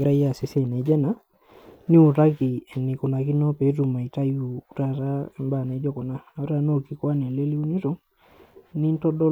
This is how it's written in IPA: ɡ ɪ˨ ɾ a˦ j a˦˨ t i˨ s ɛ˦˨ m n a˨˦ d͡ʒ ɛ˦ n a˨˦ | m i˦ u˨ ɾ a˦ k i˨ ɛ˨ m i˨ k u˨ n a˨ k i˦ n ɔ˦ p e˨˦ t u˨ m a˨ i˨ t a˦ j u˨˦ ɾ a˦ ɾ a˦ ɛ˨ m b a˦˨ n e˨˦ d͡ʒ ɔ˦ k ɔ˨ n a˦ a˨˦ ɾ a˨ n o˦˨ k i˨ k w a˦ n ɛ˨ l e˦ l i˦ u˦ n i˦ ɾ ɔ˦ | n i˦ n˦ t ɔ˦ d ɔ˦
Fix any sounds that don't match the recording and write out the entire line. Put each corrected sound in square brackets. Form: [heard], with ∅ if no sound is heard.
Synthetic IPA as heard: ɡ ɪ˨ ɾ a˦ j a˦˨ [s] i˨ s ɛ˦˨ [∅] n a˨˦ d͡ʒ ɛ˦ n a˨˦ | [n] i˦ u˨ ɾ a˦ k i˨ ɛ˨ [n] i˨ k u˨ n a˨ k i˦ n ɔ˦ p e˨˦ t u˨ m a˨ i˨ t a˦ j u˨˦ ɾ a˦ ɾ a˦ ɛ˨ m b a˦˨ n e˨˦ d͡ʒ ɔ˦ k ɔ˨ n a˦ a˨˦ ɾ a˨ n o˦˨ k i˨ k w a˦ n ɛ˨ l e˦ l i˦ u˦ n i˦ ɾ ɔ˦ | n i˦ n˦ t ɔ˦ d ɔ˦